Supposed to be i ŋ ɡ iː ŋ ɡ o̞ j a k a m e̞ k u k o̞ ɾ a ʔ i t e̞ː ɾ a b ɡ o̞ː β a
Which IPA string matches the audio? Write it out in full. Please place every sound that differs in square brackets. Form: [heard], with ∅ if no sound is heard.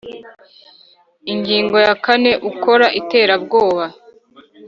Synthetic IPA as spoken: i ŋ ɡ iː ŋ ɡ o̞ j a k a [n] e̞ [ʔ] u k o̞ ɾ a ʔ i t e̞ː ɾ a b ɡ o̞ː β a